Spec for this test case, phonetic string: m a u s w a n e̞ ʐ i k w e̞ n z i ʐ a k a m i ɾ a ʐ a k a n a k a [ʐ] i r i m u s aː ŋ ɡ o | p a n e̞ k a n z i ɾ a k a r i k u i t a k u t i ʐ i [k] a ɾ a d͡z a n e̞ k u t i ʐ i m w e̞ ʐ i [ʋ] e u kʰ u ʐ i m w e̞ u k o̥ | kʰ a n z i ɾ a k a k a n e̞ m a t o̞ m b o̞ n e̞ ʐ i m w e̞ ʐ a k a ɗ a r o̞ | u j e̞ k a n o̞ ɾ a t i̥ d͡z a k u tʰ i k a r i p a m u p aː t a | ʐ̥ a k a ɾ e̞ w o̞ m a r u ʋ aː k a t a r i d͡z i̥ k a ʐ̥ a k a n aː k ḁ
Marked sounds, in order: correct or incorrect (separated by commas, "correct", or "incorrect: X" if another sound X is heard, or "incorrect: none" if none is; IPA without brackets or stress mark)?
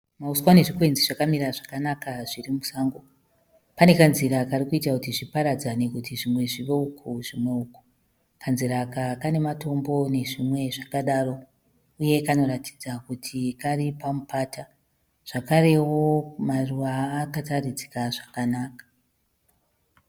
correct, incorrect: p, correct